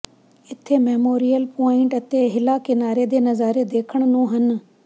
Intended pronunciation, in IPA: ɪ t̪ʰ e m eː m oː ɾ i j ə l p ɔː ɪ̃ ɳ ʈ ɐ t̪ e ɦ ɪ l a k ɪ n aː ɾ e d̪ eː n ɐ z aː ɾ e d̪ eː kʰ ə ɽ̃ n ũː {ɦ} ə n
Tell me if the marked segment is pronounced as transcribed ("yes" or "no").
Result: yes